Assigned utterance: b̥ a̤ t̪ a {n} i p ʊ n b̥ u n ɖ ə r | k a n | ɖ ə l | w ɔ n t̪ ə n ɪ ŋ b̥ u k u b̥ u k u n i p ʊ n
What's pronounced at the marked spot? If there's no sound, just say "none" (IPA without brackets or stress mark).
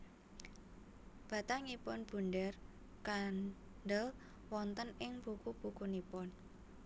ŋ